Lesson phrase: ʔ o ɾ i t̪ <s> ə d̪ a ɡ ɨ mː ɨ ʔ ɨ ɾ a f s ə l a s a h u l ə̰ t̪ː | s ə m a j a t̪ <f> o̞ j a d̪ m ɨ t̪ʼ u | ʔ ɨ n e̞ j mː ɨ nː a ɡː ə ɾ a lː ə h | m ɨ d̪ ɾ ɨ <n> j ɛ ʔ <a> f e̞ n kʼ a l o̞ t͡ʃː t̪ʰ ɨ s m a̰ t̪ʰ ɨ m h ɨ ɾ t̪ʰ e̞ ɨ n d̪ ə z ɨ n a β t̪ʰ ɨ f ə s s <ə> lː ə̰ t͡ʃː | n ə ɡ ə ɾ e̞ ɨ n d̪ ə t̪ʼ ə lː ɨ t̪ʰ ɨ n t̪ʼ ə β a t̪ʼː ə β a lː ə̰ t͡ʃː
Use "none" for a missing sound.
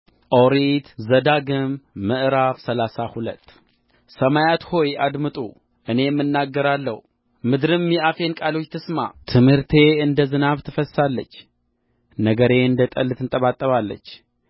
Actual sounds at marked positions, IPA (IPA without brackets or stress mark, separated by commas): z, h, m, a, a